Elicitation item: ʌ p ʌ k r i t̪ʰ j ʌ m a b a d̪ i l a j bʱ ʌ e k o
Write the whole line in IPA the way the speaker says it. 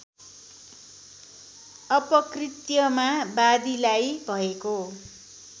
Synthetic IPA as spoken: ʌ p ʌ k r i t̪ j ʌ m a b a d̪ i l a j bʱ ʌ e k o